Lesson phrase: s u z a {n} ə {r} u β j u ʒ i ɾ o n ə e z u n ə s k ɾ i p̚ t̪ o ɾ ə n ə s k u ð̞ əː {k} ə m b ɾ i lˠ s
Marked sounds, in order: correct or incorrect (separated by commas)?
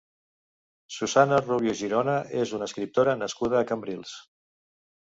correct, correct, correct